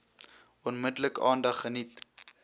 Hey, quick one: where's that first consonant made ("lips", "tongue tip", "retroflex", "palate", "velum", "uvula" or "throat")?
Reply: tongue tip